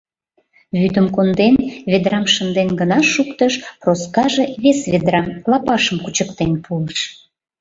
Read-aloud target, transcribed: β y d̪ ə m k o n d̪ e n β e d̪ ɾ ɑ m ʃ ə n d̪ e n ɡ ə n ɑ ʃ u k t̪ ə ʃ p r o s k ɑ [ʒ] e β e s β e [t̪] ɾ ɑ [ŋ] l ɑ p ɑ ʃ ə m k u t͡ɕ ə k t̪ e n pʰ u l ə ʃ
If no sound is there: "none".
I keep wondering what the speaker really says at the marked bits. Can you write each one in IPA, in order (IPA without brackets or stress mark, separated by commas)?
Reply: ʒ, d̪, m